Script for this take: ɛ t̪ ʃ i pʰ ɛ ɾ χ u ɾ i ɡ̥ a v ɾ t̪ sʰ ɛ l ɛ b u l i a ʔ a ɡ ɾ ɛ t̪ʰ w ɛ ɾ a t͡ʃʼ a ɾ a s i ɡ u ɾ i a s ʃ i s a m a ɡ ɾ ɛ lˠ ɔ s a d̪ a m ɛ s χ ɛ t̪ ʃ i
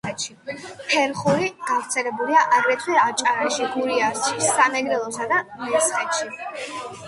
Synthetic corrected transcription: ɛ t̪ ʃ i pʰ ɛ ɾ χ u ɾ i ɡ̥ a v ɾ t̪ sʰ ɛ l ɛ b u l i a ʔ a ɡ ɾ ɛ t̪ʰ w ɛ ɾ a t͡ʃʼ a ɾ a ʃ i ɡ u ɾ i a s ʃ i s a m ɛ ɡ ɾ ɛ lˠ ɔ s a d̪ a m ɛ s χ ɛ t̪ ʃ i